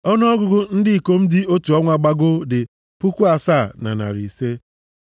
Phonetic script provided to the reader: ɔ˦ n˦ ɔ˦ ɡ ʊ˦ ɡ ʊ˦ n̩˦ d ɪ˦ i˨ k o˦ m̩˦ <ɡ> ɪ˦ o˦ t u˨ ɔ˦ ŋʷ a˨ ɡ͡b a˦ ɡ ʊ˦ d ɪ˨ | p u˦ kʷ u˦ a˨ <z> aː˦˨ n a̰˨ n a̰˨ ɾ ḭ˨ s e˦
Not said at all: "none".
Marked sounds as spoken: d, s

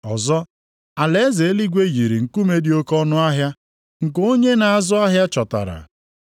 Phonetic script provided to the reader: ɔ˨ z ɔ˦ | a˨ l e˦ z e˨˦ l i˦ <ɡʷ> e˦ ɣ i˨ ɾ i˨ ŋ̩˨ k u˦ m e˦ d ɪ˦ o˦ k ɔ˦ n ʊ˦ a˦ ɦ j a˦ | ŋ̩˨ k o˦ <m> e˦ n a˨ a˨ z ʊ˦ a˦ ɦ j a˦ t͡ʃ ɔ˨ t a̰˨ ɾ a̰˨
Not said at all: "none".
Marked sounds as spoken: ɡʷ, ɲ

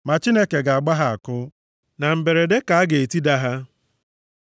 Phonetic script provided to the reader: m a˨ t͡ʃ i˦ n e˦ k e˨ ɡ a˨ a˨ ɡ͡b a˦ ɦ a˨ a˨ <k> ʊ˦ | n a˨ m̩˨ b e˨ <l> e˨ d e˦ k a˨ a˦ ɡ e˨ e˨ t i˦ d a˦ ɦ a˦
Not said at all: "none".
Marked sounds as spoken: k, ɾ

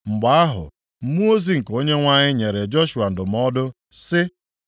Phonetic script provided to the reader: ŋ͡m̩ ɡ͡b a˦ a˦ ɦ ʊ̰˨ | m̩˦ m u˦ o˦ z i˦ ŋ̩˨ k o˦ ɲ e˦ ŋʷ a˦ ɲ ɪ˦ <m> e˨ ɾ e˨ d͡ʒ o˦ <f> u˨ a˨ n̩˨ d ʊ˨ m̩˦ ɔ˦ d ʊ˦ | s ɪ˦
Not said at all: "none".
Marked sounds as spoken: ɲ, ʃ

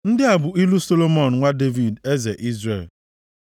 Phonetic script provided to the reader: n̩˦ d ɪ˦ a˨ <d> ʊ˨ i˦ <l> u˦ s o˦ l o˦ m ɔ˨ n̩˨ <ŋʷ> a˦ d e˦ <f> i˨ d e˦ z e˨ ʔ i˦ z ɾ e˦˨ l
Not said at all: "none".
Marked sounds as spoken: b, l, ŋʷ, v

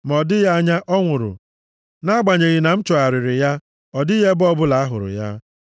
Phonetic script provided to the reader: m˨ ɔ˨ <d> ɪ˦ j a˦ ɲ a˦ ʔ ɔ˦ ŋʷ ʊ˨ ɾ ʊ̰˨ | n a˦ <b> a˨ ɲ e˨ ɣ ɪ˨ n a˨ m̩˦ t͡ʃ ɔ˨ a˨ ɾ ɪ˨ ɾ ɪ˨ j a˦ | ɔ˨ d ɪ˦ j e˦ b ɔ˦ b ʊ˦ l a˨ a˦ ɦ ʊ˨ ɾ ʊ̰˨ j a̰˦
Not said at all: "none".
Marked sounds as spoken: d, ɡ͡b

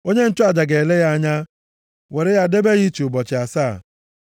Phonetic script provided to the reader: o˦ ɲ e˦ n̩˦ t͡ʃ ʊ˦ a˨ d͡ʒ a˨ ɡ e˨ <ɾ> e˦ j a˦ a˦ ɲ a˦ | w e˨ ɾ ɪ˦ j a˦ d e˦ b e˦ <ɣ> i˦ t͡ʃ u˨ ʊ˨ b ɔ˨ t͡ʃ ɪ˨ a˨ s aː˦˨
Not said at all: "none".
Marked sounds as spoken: l, ɣ

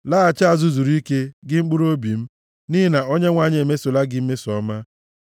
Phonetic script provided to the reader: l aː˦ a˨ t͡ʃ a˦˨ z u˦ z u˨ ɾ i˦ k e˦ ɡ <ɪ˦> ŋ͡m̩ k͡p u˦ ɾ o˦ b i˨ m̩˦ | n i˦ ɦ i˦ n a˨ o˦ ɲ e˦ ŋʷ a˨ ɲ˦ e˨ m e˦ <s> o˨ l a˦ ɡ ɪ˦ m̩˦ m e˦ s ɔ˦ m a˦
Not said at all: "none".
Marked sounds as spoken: ɪ˦, s

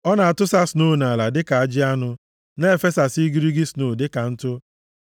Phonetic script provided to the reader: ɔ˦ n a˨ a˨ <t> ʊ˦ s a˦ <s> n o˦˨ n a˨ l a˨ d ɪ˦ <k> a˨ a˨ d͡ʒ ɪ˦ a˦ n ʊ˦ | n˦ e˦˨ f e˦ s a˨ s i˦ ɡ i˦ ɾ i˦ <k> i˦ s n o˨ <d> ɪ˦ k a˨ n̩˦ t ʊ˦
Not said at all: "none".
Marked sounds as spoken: t, s, k, ɡ, d

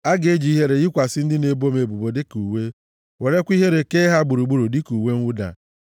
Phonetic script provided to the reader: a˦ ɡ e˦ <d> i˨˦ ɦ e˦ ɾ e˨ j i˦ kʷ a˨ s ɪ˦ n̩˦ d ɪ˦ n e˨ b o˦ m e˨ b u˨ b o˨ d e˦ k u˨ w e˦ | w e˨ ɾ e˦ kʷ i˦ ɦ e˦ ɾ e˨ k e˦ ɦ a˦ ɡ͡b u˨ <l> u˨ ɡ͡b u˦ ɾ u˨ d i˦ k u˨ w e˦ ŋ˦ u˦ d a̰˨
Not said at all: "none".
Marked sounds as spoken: d͡ʒ, ɾ

